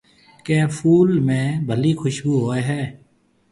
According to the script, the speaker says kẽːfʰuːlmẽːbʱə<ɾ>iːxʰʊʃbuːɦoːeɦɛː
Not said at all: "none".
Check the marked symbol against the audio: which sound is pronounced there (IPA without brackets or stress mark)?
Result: l